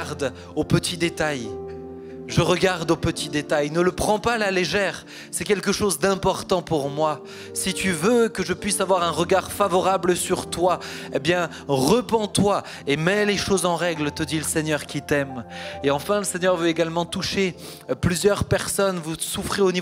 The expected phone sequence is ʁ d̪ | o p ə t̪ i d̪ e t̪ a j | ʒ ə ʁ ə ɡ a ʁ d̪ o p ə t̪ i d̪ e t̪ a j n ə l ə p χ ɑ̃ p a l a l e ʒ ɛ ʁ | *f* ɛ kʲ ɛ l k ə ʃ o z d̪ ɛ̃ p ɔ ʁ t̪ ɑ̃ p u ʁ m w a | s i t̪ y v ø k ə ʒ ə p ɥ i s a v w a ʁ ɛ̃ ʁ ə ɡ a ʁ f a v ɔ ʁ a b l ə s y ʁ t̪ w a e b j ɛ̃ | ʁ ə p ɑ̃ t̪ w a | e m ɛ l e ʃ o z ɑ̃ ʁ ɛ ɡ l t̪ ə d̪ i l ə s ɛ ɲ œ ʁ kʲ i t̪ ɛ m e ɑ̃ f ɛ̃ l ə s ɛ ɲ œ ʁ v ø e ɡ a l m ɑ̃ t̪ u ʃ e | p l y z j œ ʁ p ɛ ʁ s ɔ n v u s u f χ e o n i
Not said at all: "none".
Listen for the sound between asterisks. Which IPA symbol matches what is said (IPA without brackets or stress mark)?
s